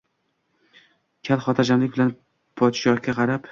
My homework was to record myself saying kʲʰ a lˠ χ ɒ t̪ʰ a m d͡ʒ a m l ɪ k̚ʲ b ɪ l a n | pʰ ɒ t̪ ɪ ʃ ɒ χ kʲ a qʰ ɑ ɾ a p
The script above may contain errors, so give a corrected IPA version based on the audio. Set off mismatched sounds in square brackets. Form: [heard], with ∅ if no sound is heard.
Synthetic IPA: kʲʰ a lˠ χ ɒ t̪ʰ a [∅] d͡ʒ a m l ɪ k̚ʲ b ɪ l a n | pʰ ɒ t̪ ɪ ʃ ɒ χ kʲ a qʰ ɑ ɾ a p